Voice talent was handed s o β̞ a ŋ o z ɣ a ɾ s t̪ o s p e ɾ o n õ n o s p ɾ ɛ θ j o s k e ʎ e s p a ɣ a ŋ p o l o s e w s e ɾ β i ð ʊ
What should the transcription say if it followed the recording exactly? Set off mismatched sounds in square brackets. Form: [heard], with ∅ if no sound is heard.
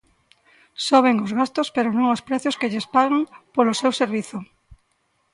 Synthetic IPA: s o β̞ [e] ŋ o z ɣ a [∅] s t̪ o s p e ɾ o n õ [ŋ] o s p ɾ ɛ θ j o s k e ʎ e s p a ɣ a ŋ p o l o s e w s e ɾ β i [θ] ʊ